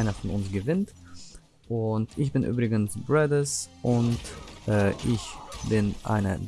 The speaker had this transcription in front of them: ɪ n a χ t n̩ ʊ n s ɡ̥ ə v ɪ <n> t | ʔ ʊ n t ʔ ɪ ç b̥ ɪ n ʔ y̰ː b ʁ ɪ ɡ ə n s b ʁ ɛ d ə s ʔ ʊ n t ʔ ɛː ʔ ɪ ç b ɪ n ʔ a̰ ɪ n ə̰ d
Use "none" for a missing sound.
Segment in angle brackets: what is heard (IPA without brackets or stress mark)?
n